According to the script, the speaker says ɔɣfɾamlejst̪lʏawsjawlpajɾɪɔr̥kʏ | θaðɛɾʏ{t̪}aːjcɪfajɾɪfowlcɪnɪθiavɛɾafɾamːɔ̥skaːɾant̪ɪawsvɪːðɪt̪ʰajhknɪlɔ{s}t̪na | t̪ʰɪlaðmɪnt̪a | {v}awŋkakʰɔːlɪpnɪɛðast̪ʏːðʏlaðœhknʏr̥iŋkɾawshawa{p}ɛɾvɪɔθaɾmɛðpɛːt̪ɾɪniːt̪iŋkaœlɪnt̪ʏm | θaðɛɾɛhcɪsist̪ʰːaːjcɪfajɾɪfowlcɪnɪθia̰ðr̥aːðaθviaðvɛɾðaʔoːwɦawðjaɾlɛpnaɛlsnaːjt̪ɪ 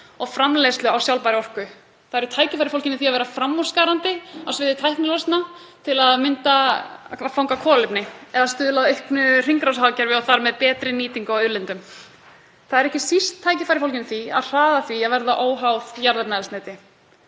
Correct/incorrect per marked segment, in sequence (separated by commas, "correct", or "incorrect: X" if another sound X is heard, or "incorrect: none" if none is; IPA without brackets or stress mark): incorrect: t̪ʰ, correct, incorrect: f, incorrect: c